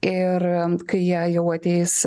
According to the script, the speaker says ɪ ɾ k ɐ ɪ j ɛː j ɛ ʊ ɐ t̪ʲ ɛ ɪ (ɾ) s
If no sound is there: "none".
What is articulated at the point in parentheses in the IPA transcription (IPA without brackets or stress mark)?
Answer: none